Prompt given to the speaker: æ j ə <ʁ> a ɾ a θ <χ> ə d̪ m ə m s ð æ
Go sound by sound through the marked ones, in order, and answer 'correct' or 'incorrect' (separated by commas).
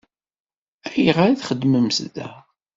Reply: correct, correct